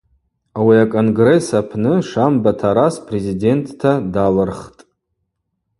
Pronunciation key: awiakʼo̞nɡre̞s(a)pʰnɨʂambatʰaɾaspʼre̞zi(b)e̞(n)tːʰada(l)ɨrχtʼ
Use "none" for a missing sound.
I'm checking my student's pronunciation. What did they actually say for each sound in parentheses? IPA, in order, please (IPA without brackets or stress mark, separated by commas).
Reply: a, d, n, l